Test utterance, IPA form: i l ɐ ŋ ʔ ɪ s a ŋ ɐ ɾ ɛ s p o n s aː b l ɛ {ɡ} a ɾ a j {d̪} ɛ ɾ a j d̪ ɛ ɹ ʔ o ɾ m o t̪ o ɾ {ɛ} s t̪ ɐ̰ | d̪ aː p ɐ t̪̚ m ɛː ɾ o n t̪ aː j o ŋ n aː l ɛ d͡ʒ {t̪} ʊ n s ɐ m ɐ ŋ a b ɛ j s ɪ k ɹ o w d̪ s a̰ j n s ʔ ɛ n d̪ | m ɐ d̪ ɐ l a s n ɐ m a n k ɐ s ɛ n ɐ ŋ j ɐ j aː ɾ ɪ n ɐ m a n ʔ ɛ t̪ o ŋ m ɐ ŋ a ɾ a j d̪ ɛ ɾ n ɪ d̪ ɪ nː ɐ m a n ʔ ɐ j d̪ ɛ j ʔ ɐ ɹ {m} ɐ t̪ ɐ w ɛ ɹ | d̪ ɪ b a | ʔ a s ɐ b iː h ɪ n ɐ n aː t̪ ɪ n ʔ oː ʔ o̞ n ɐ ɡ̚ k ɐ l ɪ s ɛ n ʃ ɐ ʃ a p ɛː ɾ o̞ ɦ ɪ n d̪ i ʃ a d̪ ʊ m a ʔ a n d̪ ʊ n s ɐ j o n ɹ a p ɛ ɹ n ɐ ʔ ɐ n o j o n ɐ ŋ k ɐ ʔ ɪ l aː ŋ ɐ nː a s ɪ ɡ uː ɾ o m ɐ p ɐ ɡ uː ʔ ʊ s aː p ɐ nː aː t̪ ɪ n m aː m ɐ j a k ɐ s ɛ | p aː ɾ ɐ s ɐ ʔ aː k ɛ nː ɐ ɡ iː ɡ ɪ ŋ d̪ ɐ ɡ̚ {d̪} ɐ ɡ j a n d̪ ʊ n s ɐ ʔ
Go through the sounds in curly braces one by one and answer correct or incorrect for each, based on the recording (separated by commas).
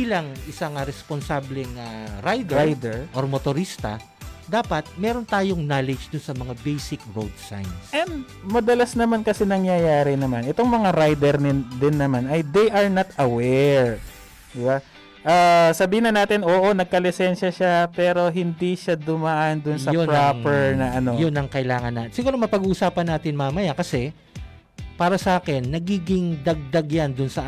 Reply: incorrect, correct, incorrect, incorrect, incorrect, correct